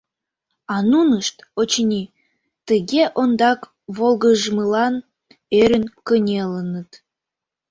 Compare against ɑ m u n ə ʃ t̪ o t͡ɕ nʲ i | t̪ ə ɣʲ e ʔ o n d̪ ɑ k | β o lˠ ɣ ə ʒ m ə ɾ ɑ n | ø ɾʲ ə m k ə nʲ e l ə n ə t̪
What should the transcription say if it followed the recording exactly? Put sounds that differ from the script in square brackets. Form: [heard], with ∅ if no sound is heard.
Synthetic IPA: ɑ [n] u n ə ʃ t̪ o t͡ɕ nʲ i | t̪ ə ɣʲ e ʔ o n d̪ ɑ k | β o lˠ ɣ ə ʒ m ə [l] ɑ n | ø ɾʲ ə [n] k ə nʲ e l ə n ə t̪